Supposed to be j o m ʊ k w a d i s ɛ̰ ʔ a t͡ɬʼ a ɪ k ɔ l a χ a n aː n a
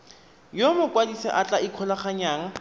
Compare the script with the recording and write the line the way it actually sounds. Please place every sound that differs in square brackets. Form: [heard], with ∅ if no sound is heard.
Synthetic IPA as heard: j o m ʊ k w a d i s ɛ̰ ʔ a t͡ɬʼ a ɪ [kʰ] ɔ l a χ a [ɲ] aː [ŋ] a